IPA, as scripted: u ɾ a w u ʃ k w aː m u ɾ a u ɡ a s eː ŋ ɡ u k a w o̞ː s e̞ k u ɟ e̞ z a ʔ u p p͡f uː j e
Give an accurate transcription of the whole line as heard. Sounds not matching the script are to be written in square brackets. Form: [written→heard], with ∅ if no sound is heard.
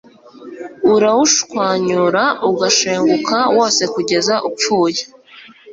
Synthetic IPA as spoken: u ɾ a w u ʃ k w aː [m→ɲ] u ɾ a u ɡ a [s→ʃ] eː ŋ ɡ u k a w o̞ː s e̞ k u ɟ e̞ z a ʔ u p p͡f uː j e